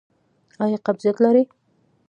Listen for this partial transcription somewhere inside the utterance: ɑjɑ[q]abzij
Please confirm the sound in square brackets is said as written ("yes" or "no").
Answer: yes